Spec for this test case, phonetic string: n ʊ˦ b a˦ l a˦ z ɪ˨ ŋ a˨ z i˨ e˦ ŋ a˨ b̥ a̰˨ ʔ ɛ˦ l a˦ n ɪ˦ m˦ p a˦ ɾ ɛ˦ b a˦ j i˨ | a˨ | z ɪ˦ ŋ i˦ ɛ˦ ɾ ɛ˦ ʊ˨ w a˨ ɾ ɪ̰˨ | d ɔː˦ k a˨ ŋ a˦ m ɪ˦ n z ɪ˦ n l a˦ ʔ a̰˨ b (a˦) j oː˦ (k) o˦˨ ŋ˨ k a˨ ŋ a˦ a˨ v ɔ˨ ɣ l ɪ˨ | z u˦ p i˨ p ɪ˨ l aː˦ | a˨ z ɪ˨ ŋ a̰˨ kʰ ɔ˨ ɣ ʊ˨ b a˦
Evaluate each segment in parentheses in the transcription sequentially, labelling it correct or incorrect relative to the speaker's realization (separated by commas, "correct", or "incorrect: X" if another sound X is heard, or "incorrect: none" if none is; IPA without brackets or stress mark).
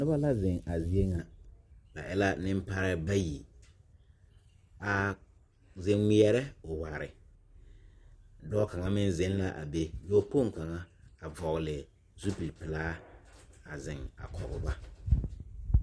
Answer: incorrect: e˦, incorrect: p